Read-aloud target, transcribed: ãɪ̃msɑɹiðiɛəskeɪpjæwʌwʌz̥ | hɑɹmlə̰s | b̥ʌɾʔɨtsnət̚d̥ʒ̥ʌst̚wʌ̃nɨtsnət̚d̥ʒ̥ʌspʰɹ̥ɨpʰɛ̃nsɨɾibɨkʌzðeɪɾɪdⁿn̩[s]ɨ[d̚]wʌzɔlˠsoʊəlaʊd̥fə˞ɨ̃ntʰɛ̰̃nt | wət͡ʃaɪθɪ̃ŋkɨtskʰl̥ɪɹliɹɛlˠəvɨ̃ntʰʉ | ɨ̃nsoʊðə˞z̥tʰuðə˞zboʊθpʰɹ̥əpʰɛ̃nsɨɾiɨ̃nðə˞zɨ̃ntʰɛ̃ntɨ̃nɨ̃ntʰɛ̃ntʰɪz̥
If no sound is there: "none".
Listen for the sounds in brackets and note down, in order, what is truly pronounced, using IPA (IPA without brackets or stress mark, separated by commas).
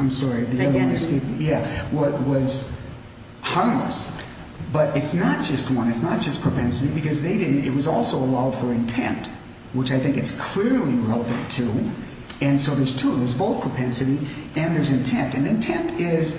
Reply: t, t̚